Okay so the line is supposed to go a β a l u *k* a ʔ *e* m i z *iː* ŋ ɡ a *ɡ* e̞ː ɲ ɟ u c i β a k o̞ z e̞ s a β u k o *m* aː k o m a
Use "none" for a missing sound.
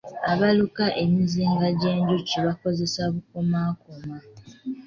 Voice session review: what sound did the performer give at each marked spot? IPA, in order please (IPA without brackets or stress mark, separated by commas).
k, e, iː, ɟ, m